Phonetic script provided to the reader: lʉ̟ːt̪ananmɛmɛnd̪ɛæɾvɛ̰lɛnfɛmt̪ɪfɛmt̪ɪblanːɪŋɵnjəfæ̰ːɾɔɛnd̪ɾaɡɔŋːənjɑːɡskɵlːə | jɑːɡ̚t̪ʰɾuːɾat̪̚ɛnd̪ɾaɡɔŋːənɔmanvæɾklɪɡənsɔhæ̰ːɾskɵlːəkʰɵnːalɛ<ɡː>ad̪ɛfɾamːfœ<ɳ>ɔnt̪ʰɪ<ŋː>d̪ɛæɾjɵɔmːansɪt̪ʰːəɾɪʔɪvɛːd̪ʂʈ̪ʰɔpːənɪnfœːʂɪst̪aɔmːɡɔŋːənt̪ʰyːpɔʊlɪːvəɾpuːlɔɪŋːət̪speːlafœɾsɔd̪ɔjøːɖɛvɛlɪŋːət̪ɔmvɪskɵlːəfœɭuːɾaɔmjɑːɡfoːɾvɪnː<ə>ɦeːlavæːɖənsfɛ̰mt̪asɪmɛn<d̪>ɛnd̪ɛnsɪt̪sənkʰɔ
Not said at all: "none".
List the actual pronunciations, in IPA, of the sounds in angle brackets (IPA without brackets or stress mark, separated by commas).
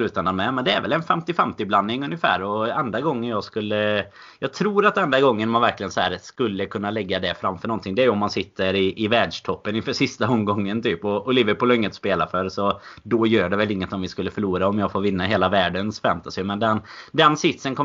ɡː, ɳ, ŋ, a, d̪